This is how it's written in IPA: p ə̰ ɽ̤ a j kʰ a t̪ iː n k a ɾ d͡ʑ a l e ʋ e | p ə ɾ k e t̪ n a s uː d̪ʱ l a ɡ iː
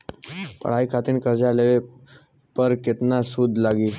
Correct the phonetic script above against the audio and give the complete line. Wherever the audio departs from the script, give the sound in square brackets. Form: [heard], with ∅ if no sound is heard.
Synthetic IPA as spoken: p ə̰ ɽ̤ a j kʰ a t̪ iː n k [ə] ɾ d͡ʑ a l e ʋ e | p ə ɾ k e t̪ n a s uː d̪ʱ l a ɡ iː